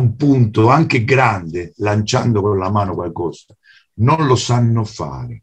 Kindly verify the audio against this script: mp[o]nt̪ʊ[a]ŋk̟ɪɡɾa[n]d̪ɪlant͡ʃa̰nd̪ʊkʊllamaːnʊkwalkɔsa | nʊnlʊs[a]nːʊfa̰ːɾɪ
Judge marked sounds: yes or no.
no, yes, yes, yes

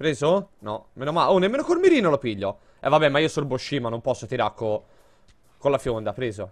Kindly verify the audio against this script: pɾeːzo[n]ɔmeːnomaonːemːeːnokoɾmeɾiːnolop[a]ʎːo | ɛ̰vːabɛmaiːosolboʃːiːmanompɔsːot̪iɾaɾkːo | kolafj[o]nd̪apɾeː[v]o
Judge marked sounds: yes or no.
yes, no, yes, no

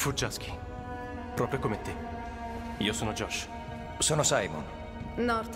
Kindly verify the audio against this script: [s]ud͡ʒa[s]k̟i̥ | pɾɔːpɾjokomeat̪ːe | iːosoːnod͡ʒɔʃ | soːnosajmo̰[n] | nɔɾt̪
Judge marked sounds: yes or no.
no, yes, yes

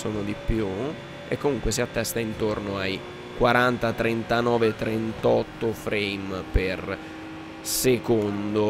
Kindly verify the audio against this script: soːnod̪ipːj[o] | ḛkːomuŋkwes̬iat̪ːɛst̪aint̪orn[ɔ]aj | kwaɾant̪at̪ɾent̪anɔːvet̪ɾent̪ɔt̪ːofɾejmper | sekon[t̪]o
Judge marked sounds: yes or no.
no, no, no

